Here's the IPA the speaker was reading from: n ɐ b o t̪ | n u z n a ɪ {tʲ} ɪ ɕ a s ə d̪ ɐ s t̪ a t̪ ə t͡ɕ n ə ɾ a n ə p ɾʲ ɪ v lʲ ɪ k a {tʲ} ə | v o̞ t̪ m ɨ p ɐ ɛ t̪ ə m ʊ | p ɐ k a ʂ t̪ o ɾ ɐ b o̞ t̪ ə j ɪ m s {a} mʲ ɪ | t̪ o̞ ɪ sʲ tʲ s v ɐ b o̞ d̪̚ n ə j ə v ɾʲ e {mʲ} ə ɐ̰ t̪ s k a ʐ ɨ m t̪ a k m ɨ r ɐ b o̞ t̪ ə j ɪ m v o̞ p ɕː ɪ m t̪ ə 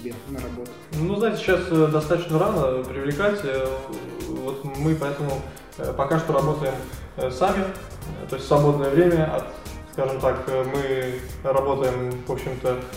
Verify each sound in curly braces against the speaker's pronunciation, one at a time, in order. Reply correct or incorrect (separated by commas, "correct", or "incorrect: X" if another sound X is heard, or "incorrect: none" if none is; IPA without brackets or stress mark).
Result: correct, correct, correct, correct